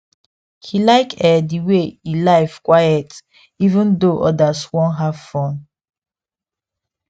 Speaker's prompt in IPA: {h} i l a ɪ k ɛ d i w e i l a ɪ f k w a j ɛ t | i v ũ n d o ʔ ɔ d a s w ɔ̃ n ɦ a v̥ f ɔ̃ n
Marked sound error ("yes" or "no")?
no